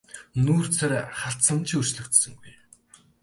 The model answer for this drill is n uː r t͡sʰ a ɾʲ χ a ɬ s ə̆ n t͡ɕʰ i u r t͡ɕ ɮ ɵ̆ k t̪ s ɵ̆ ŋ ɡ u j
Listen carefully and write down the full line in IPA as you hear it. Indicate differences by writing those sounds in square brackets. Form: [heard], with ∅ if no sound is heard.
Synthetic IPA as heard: n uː r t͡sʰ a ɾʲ χ a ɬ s ə̆ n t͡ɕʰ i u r t͡ɕ ɮ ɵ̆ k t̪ s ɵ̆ ŋ ɡ u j